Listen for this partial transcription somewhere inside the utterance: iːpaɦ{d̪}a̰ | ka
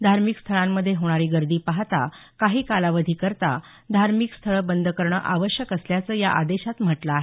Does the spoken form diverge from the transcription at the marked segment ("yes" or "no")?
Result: yes